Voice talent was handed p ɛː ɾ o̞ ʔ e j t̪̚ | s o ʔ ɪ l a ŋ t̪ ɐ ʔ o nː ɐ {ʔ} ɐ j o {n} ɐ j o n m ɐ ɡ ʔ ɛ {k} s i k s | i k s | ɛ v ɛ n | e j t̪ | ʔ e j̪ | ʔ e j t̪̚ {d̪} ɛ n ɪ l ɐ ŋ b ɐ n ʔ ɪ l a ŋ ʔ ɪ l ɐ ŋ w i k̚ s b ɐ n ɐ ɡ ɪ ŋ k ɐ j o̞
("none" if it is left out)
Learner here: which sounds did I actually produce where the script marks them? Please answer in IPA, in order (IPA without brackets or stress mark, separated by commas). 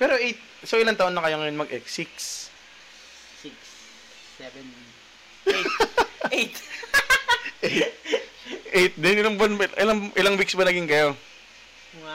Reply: k, ŋ, k, d̪